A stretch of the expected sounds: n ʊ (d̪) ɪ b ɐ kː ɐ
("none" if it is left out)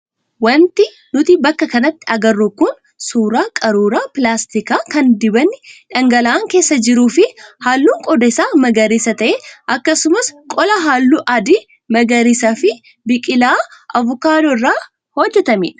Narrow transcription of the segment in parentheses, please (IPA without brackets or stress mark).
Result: t̪